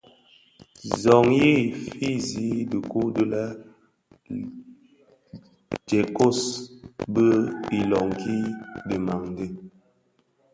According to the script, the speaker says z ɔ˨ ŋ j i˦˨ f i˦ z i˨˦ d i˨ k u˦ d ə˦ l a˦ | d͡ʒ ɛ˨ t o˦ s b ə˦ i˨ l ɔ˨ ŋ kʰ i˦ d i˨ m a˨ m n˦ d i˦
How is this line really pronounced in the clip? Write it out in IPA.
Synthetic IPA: z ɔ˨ ŋ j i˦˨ f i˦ z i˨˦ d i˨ k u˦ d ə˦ l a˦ | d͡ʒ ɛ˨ k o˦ s b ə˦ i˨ l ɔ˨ ŋ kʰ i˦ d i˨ m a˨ ŋ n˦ d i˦